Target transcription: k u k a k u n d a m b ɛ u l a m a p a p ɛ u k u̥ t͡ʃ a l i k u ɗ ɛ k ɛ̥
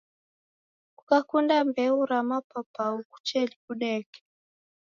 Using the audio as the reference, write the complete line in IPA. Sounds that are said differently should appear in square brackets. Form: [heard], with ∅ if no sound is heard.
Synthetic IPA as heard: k u k a k u n d a m b ɛ u [ɾ] a m a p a p [a] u k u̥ t͡ʃ [ɛ] l i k u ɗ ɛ k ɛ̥